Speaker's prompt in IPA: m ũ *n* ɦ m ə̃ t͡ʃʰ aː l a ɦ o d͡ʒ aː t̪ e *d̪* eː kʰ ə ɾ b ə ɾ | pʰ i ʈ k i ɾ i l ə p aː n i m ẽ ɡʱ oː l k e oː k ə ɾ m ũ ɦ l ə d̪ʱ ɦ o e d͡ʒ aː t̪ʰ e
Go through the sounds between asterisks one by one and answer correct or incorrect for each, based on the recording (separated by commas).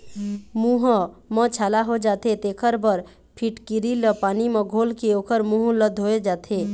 incorrect, incorrect